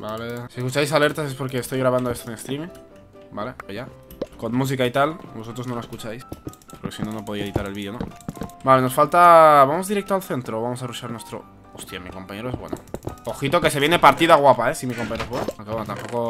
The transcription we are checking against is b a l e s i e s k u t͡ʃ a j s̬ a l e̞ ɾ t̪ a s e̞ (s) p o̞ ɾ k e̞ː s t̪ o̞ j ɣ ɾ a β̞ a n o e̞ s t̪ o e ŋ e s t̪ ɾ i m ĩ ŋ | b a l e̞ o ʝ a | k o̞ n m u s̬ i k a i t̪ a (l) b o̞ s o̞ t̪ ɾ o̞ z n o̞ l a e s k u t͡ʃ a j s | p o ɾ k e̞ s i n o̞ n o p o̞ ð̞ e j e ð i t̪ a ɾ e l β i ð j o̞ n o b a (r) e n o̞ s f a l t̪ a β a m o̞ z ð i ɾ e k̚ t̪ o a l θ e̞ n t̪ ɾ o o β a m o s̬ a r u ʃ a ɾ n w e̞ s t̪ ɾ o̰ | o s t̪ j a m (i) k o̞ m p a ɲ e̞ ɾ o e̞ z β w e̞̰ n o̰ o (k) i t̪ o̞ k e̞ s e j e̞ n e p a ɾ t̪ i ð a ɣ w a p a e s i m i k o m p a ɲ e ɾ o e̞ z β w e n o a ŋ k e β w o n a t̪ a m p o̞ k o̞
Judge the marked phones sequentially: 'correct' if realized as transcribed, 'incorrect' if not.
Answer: correct, correct, incorrect: l, correct, incorrect: x

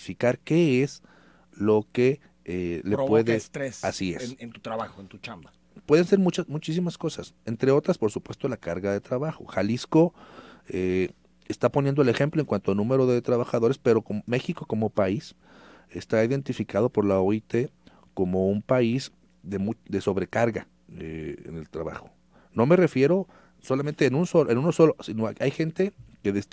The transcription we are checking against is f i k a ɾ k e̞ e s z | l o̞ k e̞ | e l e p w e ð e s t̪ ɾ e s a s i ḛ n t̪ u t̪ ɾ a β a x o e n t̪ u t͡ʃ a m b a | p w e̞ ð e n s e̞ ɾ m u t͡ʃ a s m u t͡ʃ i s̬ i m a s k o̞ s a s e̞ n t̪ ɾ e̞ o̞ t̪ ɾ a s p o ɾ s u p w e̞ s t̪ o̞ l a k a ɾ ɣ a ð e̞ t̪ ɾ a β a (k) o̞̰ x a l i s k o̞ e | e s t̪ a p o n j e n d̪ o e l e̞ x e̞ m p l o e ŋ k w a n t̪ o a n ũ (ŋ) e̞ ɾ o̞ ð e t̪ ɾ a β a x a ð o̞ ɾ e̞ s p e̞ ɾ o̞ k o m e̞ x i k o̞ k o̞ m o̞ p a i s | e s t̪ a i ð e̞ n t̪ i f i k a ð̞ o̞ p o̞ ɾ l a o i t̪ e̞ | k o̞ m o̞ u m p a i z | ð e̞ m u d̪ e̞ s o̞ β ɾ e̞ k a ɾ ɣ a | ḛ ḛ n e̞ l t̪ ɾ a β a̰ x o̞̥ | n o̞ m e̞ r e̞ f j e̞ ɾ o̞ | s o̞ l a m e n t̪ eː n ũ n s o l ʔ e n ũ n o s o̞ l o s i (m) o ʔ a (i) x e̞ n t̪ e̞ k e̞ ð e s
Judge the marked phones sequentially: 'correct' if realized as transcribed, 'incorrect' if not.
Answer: incorrect: x, incorrect: m, incorrect: n, incorrect: j

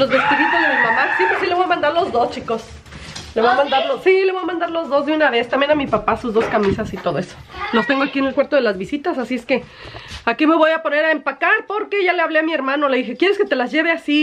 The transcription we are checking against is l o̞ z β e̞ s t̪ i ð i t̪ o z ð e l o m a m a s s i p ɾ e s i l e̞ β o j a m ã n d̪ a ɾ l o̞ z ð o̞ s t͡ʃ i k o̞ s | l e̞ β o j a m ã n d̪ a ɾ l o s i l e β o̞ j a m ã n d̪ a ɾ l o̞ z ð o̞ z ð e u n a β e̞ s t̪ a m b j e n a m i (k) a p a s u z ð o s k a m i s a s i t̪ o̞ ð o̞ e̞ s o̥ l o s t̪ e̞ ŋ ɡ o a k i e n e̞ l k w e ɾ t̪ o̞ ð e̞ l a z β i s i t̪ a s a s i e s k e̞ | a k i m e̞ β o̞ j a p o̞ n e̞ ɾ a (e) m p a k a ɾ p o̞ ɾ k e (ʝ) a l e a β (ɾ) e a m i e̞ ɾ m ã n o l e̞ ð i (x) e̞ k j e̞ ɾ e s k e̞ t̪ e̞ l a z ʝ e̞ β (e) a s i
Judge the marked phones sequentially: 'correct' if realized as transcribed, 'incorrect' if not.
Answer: incorrect: p, correct, correct, incorrect: l, correct, correct

